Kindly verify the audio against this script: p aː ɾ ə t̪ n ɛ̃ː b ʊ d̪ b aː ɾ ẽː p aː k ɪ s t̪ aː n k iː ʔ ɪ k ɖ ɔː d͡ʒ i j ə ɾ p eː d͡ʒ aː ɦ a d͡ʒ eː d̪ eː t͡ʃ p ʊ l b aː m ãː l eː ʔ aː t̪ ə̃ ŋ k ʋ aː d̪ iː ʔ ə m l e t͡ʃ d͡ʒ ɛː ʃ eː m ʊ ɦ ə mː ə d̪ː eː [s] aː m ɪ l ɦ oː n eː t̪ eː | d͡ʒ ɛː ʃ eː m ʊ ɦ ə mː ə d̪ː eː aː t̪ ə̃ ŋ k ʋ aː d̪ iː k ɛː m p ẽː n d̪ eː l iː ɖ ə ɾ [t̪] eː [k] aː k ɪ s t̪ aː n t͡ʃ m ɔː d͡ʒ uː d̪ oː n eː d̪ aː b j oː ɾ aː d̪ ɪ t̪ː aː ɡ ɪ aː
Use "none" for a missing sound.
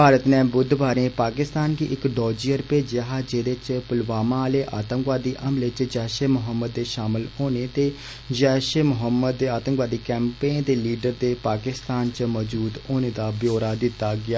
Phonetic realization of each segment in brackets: ʃ, d̪, p

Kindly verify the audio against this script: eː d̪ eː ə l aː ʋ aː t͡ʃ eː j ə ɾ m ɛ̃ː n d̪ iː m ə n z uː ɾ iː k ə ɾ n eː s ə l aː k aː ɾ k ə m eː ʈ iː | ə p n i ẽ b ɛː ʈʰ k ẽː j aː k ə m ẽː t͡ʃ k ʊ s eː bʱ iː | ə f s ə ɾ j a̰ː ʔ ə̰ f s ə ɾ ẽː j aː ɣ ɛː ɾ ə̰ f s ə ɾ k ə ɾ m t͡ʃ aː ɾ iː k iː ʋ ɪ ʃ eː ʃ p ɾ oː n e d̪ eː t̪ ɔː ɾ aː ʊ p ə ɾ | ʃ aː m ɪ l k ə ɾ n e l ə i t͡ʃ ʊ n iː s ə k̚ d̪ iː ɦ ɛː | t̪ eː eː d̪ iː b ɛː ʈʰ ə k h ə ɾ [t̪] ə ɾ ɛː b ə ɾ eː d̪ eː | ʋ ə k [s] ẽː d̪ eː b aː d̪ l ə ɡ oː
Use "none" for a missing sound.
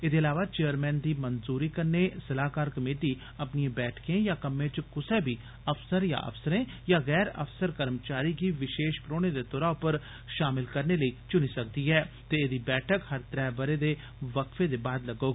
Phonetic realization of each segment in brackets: t̪, f

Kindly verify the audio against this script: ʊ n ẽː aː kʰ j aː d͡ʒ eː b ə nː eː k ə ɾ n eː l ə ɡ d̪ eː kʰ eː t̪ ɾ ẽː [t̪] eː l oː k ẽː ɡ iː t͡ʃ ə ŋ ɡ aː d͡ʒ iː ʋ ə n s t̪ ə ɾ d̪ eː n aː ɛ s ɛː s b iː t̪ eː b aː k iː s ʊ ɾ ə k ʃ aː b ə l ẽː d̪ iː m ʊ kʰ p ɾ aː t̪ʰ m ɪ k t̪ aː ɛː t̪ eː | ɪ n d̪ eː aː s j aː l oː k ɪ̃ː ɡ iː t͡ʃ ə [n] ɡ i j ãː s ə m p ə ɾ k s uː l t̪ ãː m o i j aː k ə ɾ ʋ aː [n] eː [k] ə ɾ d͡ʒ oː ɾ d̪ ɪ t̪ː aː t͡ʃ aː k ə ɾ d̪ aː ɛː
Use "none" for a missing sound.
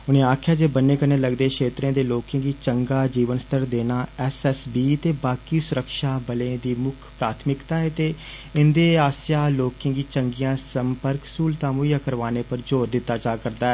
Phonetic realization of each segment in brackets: d̪, ŋ, n, p

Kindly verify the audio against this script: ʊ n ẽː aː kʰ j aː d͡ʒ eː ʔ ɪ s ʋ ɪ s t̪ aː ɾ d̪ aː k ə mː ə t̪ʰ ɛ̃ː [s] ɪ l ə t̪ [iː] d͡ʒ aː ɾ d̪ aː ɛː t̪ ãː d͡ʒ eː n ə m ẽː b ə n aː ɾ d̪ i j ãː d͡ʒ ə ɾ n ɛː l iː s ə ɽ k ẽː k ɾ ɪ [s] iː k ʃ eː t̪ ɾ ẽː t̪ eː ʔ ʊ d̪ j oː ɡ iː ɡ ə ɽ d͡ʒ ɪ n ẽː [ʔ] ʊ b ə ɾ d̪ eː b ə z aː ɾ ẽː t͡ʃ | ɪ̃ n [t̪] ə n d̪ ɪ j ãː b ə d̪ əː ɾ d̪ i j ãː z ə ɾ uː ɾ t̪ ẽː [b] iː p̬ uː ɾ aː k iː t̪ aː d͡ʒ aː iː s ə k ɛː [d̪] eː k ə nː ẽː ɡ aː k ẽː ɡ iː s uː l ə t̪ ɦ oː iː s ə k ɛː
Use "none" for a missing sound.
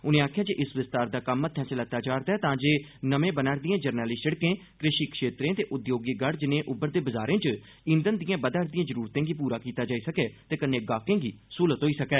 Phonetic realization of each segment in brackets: s, aː, ʃ, ʔ, d̪, ɡ, t̪

